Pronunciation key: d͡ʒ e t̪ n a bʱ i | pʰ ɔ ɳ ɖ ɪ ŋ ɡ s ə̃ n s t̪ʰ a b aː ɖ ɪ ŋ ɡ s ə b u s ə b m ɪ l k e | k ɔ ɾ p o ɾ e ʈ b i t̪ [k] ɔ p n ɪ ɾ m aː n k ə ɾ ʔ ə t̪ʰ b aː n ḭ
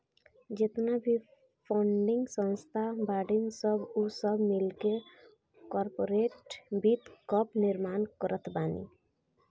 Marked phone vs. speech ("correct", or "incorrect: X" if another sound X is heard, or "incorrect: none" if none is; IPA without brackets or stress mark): correct